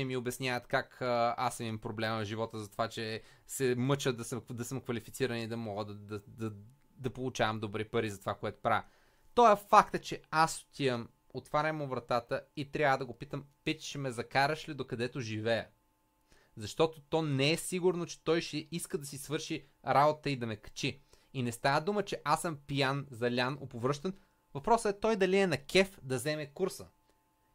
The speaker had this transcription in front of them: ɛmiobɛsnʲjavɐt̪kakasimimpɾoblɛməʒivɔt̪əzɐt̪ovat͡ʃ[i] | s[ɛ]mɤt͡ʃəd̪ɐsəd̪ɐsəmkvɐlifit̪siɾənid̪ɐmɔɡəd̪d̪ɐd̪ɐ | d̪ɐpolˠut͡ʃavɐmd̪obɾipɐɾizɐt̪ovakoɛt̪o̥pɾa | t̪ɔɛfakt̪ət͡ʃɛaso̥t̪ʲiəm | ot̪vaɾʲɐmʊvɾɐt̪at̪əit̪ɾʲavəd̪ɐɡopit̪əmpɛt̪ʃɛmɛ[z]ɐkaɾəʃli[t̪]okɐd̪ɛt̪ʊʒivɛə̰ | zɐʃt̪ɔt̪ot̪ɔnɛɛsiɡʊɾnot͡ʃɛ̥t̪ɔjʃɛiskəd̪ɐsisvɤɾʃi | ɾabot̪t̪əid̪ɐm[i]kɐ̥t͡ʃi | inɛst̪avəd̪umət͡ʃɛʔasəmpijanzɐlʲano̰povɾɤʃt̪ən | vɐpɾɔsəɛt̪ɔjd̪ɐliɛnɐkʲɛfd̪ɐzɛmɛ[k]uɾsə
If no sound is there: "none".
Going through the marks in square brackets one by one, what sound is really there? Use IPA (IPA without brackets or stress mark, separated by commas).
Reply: ɛ, ɛ, z, d̪, ɛ, k